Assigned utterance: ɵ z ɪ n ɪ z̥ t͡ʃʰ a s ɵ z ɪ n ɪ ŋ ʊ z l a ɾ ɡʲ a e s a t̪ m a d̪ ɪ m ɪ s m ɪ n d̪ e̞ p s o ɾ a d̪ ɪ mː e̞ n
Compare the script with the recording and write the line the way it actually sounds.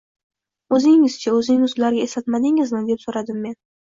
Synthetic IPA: ɵ z ɪ ŋ ɪ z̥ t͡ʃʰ a ɵ z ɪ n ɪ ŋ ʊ z l a ɾ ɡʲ a e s a t̪ m a d̪ ɪ ŋ ɪ z m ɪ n d̪ e̞ p s o ɾ a d̪ ɪ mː e̞ n

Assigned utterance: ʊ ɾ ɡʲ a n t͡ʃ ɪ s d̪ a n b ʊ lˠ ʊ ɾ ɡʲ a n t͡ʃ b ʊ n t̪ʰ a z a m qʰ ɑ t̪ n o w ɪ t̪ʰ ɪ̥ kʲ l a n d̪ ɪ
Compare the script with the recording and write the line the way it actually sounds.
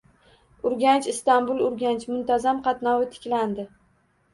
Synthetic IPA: ʊ ɾ ɡʲ a n t͡ʃ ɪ s t̪ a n b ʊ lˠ ʊ ɾ ɡʲ a n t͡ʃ m ʊ n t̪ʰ a z a m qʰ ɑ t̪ n ɒ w ɪ t̪ʰ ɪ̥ kʲ l a n d̪ ɪ

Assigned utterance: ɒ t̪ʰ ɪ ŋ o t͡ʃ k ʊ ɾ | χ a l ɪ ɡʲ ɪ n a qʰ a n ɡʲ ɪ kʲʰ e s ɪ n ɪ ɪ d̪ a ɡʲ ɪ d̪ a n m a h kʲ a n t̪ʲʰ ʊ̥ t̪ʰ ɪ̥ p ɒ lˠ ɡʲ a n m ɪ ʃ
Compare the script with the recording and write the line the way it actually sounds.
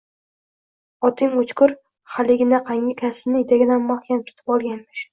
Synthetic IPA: ɒ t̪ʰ ɪ ŋ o t͡ʃ k ʊ ɾ | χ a l ɪ ɡʲ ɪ n a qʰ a ŋ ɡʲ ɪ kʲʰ a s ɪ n ɪ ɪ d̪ a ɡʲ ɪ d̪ a n m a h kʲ a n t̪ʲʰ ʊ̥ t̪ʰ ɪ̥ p ɒ lˠ ɡʲ a n m ɪ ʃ

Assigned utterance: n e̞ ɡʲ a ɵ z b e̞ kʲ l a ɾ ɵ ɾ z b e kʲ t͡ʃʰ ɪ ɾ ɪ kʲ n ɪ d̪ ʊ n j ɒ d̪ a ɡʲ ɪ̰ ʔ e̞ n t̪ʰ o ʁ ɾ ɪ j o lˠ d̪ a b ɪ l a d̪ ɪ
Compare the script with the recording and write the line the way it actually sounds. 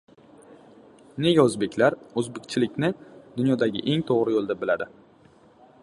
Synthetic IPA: n e̞ ɡʲ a ɵ z b e̞ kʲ l a ɾ ɵ z b e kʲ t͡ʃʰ ɪ l ɪ kʲ n ɪ d̪ ʊ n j ɒ d̪ a ɡʲ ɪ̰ ʔ e̞ ŋ t̪ʰ o ʁ ɾ ɪ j o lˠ d̪ a b ɪ l a d̪ ɪ

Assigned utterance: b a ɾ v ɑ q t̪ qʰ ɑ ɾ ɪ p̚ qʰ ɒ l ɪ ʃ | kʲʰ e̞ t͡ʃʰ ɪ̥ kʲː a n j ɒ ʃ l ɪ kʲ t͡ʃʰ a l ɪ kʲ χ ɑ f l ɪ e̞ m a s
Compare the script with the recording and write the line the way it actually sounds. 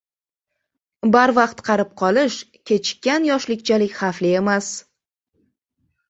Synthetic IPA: b a ɾ v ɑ q t̪ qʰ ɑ ɾ ɪ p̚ qʰ ɒ l ɪ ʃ | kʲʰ e̞ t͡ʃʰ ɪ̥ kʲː a n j ɒ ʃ l ɪ kʲ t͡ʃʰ a l ɪ kʲ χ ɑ f l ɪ e̞ m a s

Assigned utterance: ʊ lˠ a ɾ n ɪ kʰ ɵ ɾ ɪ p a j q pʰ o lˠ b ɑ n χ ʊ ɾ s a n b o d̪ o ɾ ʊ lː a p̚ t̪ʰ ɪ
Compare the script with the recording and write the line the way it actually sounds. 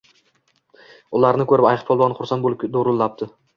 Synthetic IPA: ʊ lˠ a ɾ n ɪ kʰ ɵ ɾ ɪ p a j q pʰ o lˠ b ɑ n χ ʊ ɾ s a n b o d̪ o ɾ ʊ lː a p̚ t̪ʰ ɪ

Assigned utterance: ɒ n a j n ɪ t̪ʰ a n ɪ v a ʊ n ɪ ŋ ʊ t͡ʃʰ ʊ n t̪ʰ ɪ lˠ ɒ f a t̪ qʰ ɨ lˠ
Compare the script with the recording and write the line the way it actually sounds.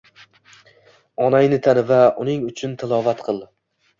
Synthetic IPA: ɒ n a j n ɪ t̪ʰ a n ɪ v a ʊ n ɪ ŋ ʊ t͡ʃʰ ʊ n t̪ʰ ɪ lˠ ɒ v a t̪ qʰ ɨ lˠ

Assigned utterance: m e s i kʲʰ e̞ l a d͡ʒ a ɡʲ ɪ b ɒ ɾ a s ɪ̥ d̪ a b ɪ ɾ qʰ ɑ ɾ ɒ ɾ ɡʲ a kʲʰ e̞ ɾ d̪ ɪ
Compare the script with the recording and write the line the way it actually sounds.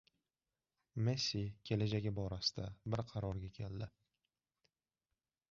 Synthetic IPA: m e s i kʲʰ e̞ l a d͡ʒ a ɡʲ ɪ b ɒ ɾ a s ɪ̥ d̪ a b ɪ ɾ qʰ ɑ ɾ ɒ ɾ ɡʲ a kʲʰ e̞ l d̪ ɪ

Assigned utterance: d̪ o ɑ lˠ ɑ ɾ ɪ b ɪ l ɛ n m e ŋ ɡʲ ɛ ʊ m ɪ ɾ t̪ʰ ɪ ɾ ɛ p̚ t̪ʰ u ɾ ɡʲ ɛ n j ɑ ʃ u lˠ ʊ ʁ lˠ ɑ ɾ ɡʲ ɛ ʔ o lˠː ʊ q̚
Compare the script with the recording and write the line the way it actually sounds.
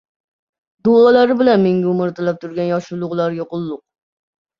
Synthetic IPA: d̪ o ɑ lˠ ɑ ɾ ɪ b ɪ l ɛ n m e ŋ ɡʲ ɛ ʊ m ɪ ɾ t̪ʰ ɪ l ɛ p̚ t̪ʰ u ɾ ɡʲ ɛ n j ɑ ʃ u lˠ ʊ ʁ lˠ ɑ ɾ ɡʲ ɛ q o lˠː ʊ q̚

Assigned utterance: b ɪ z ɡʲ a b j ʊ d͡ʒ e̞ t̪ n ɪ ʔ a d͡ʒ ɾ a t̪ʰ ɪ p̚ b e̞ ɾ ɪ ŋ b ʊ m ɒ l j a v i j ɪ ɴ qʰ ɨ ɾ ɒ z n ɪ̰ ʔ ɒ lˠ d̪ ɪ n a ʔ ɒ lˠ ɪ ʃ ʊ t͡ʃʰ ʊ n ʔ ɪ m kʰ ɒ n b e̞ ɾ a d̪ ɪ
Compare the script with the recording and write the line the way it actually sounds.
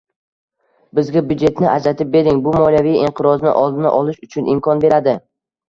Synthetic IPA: b ɪ z ɡʲ a b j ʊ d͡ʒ e̞ t̪ n ɪ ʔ a d͡ʒ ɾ a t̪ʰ ɪ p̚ b e̞ ɾ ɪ ŋ b ʊ m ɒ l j a v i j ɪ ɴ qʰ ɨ ɾ ɒ z n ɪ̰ ʔ ɒ lˠ d̪ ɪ n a ʔ ɒ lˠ ɪ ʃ ʊ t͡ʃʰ ʊ n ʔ ɪ m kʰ ɒ n b e̞ ɾ a d̪ ɪ

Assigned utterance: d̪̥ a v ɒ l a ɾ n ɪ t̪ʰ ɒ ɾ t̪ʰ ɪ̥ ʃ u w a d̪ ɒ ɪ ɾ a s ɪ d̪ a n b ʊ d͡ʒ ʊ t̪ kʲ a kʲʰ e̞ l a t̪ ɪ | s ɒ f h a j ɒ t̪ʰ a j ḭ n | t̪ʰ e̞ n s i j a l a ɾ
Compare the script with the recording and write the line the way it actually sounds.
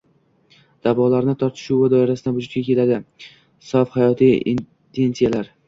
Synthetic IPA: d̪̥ a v ɒ l a ɾ n ɪ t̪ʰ ɒ ɾ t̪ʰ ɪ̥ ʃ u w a d̪ ɒ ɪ ɾ a s ɪ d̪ a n b ʊ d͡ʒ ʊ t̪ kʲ a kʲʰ e̞ l a d̪ ɪ | s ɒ f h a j ɒ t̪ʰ i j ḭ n | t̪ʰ e̞ n s i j a l a ɾ

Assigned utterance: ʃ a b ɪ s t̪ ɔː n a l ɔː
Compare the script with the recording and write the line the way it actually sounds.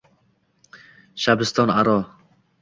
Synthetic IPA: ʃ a b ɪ s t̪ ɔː n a ɾ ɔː

